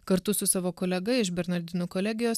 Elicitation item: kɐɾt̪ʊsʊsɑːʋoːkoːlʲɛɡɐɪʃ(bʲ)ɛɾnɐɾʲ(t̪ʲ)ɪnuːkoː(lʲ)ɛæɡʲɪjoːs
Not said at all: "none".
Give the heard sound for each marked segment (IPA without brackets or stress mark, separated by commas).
bʲ, d̪ʲ, lʲ